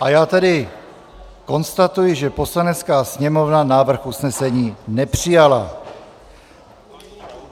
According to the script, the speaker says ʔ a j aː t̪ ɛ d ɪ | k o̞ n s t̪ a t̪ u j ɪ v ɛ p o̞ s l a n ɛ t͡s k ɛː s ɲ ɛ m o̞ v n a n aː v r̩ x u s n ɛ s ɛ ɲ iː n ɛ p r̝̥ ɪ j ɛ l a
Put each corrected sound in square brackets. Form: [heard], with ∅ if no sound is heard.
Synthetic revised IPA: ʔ a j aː t̪ ɛ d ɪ | k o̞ n s t̪ a t̪ u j ɪ [ʒ] ɛ p o̞ s l a n ɛ t͡s k [aː] s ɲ ɛ m o̞ v n a n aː v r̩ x u s n ɛ s ɛ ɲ iː n ɛ p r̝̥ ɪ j [a] l a

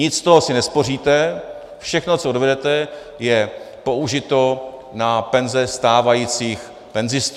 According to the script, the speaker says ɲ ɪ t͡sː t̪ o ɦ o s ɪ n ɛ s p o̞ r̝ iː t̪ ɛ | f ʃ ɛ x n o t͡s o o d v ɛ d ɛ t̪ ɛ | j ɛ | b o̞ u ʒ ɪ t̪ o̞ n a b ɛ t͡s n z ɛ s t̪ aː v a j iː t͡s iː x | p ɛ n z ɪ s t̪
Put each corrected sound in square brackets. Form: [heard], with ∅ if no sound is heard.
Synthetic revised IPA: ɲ ɪ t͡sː t̪ o ɦ o s ɪ n ɛ s p o̞ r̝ iː t̪ ɛ | f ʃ ɛ x n o t͡s o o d v ɛ d ɛ t̪ ɛ | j ɛ | [p] o̞ u ʒ ɪ t̪ o̞ n a [p] ɛ [∅] n z ɛ s t̪ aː v a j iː t͡s iː x | p ɛ n z ɪ s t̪

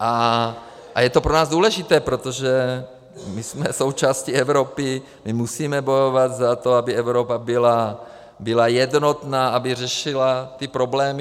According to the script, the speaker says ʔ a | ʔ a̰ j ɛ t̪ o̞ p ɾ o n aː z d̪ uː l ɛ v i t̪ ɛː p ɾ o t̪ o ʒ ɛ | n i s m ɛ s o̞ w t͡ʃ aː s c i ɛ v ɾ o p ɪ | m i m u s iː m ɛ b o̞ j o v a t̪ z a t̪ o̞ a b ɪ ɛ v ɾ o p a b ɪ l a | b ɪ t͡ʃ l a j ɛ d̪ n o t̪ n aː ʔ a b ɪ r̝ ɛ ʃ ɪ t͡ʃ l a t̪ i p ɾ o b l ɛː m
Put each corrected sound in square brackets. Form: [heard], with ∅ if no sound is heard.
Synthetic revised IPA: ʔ a | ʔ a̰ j ɛ t̪ o̞ p ɾ o n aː z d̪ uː l ɛ [ʒ] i t̪ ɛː p ɾ o t̪ o ʒ ɛ | [m] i s m ɛ s o̞ w t͡ʃ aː s c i ɛ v ɾ o p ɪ | m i m u s iː m ɛ b o̞ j o v a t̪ z a t̪ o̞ a b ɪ ɛ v ɾ o p a b ɪ l a | b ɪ [∅] l a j ɛ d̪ n o t̪ n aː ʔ a b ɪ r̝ ɛ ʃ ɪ [∅] l a t̪ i p ɾ o b l ɛː m

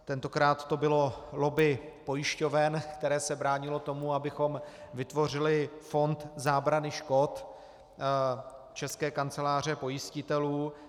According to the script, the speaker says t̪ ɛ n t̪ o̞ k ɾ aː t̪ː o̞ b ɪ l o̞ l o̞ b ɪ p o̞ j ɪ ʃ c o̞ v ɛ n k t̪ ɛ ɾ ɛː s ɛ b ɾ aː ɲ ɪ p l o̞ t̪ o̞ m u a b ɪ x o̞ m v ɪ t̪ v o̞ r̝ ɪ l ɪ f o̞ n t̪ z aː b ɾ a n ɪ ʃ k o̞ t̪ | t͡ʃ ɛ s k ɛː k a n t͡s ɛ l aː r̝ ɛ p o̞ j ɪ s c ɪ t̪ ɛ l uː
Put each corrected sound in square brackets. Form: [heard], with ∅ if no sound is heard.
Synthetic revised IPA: t̪ ɛ n t̪ o̞ k ɾ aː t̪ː o̞ b ɪ l o̞ l o̞ b ɪ p o̞ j ɪ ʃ c o̞ v ɛ n k t̪ ɛ ɾ ɛː s ɛ b ɾ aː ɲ ɪ [∅] l o̞ t̪ o̞ m u a b ɪ x o̞ m v ɪ t̪ v o̞ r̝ ɪ l ɪ f o̞ n t̪ z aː b ɾ a n ɪ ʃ k o̞ t̪ | t͡ʃ ɛ s k ɛː k a n t͡s ɛ l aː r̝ ɛ p o̞ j ɪ s c ɪ t̪ ɛ l uː

